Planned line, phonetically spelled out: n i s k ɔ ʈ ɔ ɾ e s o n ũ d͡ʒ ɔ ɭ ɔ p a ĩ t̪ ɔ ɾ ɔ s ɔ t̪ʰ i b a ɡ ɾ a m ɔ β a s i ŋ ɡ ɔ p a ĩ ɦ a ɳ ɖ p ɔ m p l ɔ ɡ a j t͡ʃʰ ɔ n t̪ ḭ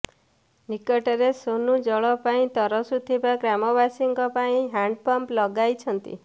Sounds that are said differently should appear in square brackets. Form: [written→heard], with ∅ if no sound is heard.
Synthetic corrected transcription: n i [s→∅] k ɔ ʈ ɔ ɾ e s o n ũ d͡ʒ ɔ ɭ ɔ p a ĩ t̪ ɔ ɾ ɔ s [ɔ→u] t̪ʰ i b a ɡ ɾ a m ɔ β a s i ŋ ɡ ɔ p a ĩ ɦ a ɳ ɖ p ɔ m p l ɔ ɡ a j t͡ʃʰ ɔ n t̪ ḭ